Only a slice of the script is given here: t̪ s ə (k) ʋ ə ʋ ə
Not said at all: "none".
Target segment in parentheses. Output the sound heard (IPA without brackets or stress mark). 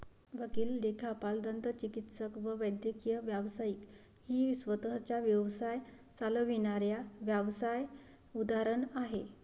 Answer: k